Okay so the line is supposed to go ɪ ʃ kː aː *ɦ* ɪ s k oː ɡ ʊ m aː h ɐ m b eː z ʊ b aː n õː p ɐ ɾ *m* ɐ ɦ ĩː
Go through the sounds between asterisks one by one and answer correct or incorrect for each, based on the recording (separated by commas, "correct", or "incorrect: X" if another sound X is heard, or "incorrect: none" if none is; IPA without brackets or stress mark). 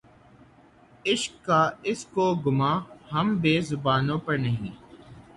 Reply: incorrect: none, incorrect: n